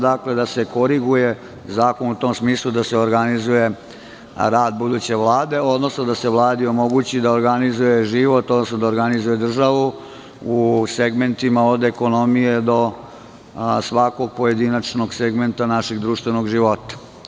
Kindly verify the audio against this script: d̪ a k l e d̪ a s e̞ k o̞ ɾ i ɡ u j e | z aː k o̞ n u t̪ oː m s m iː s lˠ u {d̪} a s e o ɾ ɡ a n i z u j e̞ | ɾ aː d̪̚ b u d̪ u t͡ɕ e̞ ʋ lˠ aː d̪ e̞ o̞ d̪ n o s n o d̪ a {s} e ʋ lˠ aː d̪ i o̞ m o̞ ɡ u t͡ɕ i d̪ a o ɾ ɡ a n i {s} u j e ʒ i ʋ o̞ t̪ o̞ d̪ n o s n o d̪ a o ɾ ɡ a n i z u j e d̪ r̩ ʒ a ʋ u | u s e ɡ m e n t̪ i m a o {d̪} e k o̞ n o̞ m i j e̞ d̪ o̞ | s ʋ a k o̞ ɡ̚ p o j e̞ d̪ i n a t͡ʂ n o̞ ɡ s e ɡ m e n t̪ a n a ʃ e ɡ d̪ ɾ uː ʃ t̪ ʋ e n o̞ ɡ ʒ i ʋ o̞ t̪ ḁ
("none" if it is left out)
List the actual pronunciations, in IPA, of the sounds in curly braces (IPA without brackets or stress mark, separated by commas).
d̪, s, z, d̪